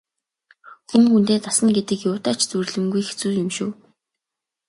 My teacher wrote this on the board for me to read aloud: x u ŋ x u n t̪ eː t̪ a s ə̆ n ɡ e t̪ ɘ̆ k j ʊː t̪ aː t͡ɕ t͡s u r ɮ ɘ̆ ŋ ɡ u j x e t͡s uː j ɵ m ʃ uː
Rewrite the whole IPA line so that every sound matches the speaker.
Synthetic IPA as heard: x u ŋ x u n t̪ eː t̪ a s ə̆ n ɡ e t̪ ɘ̆ k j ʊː t̪ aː t͡ɕ t͡s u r ɮ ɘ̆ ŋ ɡ u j x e t͡s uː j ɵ m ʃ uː